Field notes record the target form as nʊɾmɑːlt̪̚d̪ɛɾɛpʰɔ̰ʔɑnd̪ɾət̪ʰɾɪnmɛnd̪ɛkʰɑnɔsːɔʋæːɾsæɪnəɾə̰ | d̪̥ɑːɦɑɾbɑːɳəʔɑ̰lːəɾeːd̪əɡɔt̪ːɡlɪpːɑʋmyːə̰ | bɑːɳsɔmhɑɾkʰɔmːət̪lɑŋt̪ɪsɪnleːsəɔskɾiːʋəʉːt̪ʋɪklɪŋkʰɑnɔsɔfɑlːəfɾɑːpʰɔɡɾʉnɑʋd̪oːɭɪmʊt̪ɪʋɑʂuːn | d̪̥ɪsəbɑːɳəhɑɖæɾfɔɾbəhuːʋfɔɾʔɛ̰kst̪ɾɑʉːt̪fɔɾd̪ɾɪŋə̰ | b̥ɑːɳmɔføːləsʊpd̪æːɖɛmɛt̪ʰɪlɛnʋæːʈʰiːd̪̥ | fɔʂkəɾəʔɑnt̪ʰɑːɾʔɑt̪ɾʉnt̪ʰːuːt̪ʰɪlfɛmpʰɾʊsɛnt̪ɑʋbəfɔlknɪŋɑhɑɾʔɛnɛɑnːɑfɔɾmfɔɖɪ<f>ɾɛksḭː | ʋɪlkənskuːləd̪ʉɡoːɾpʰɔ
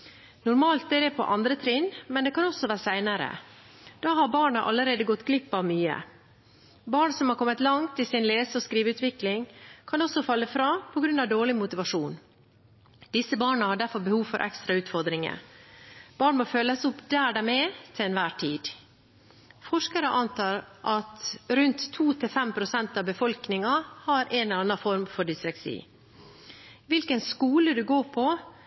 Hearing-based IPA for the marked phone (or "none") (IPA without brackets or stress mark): s